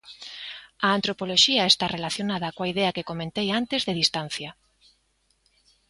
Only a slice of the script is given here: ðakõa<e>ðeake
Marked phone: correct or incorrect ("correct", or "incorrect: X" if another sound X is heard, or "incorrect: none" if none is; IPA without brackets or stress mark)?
incorrect: i